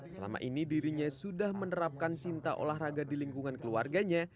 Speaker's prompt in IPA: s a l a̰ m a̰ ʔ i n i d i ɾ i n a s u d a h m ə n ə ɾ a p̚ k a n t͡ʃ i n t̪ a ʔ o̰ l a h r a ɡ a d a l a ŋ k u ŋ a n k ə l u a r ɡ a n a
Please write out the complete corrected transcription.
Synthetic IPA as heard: s ə l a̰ m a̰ ʔ i n i d i ɾ i ɲ a s u d a h m ə n ə ɾ a p̚ k a n t͡ʃ i n t̪ a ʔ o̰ l a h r a ɡ a d i l i ŋ k u ŋ a n k ə l u a r ɡ a ɲ a